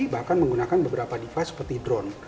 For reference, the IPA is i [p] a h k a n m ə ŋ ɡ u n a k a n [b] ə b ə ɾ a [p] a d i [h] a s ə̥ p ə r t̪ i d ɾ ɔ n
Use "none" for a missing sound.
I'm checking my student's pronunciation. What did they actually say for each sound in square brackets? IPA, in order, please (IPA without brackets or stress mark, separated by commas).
b, b, p, f